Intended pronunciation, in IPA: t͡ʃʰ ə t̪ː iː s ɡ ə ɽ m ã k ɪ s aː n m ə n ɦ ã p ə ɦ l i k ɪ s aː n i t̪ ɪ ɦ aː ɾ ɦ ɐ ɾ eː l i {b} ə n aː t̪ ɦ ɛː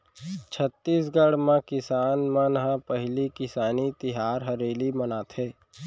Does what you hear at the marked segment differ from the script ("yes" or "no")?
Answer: yes